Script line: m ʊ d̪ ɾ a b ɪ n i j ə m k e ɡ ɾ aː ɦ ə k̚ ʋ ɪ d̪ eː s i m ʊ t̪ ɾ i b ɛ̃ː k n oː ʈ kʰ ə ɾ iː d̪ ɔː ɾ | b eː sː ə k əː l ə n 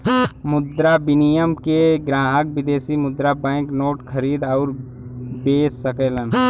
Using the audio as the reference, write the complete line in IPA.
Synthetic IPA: m ʊ d̪ ɾ a b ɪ n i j ə m k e ɡ ɾ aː ɦ ə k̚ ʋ ɪ d̪ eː s i m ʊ d̪ ɾ a b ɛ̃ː k n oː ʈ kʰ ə ɾ iː d̪ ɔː ɾ | b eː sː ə k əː l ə n